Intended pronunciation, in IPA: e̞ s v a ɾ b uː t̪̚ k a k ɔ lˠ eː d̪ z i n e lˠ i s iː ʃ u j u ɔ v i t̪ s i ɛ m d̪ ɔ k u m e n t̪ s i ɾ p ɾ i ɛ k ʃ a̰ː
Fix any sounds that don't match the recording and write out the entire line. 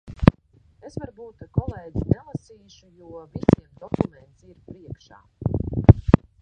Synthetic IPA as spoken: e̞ s v a ɾ b uː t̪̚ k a k ɔ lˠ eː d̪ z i n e lˠ a s iː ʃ u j u ɔ v i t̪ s i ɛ m d̪ ɔ k u m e n t̪ s i ɾ p ɾ i ɛ k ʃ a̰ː